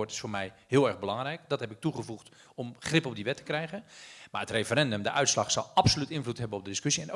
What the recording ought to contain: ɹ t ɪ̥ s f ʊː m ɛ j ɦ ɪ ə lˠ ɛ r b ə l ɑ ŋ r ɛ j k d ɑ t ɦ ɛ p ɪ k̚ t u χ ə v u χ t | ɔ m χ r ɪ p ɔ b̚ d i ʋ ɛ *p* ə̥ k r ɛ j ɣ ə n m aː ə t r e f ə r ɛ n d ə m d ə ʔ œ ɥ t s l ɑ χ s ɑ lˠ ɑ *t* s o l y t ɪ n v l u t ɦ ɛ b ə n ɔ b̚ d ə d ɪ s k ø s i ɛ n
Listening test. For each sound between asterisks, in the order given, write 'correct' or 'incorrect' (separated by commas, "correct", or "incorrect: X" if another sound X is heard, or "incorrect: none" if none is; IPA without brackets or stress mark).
incorrect: t, incorrect: p